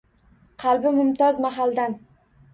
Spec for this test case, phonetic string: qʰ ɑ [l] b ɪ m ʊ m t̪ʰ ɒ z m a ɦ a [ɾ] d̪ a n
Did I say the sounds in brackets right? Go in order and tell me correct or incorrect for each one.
correct, incorrect

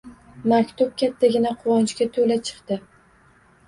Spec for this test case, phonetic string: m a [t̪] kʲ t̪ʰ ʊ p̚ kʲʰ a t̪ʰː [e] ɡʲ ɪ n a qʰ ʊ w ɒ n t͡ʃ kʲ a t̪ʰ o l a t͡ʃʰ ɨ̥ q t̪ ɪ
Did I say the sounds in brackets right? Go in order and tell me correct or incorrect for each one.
incorrect, incorrect

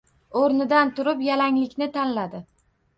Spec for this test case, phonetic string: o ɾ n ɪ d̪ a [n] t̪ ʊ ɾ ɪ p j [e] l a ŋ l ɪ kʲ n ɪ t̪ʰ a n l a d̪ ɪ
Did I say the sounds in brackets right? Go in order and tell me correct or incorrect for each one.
correct, incorrect

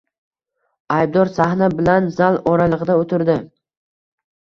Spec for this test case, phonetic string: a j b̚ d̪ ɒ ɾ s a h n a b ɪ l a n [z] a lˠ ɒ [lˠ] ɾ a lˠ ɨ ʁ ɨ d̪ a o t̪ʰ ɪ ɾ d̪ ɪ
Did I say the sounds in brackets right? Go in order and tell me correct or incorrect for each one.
correct, incorrect

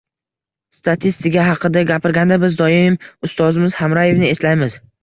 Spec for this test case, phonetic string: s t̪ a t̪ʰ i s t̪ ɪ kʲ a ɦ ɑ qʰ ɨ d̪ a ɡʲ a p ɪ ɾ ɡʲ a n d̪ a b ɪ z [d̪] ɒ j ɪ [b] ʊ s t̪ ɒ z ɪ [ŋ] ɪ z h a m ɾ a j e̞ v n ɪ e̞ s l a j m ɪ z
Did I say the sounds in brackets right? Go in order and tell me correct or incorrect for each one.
correct, incorrect, incorrect

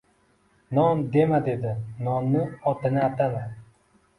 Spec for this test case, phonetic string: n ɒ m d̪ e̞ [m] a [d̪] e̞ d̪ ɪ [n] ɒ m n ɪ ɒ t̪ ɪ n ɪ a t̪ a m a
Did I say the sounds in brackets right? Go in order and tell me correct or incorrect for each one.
correct, correct, correct

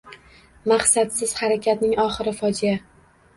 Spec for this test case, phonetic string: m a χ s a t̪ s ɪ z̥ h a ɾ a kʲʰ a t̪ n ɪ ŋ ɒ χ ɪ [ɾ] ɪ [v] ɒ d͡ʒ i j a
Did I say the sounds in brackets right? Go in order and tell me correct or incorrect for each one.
correct, incorrect

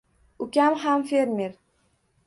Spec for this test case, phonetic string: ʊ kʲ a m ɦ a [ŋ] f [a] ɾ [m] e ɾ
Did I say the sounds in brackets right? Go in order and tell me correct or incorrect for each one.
incorrect, incorrect, correct

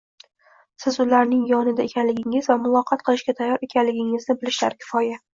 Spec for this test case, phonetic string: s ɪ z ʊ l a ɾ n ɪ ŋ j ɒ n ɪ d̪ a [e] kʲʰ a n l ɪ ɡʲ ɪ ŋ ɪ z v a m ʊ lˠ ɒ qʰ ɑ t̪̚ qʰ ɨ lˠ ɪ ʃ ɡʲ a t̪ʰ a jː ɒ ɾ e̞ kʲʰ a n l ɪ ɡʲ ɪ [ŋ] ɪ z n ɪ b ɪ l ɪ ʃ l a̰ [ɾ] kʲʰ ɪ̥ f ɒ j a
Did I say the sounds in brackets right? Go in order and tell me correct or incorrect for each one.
correct, correct, correct

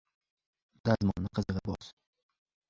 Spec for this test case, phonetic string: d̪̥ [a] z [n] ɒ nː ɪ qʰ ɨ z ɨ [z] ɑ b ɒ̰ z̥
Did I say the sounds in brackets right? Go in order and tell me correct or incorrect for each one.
correct, incorrect, incorrect

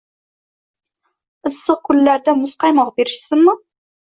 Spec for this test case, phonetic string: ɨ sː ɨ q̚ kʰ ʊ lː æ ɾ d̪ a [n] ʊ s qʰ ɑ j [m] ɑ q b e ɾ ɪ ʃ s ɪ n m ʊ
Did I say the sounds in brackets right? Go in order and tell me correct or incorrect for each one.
incorrect, correct

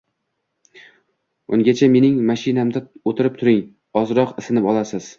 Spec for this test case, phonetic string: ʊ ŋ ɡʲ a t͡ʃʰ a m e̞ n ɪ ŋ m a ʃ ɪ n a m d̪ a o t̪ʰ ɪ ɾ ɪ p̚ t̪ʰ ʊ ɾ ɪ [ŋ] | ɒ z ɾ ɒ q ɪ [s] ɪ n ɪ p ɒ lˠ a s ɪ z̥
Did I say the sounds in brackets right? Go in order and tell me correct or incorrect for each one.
correct, correct

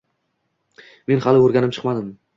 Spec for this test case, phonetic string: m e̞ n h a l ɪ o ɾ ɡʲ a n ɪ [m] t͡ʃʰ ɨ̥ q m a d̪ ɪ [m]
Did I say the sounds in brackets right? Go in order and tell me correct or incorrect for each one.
correct, correct

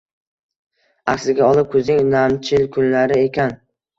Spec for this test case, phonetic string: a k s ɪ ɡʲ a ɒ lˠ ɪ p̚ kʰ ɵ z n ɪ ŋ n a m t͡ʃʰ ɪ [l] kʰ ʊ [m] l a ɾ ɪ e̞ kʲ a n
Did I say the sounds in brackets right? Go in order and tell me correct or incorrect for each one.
correct, incorrect

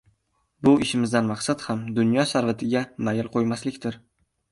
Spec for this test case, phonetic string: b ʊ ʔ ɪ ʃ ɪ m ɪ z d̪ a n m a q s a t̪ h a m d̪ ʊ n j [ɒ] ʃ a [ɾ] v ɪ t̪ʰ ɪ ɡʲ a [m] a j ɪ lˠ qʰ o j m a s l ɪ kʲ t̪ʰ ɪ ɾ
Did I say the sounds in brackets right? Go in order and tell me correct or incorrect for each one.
correct, correct, correct

